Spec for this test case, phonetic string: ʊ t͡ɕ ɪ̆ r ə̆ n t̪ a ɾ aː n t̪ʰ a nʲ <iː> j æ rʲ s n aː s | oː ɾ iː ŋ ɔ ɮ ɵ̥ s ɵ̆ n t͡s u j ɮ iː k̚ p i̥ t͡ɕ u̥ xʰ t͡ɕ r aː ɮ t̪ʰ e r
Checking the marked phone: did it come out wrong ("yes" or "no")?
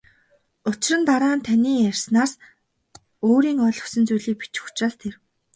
no